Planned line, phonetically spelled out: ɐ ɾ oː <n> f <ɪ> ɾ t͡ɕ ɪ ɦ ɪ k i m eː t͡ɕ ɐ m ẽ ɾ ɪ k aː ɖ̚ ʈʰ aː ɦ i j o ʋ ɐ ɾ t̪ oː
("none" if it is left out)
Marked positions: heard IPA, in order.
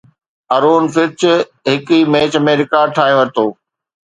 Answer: n, ɪ

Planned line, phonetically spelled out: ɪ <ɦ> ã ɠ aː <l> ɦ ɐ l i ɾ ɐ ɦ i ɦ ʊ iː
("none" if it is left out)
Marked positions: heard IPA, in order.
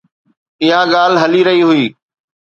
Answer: ɦ, l

